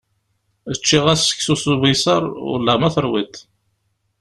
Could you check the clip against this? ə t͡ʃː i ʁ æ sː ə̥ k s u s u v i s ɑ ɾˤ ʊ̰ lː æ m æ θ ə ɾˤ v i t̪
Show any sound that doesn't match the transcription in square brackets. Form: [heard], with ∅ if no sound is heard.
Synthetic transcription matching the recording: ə t͡ʃː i ʁ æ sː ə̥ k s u s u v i s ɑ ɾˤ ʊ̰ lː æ m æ θ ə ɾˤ [w] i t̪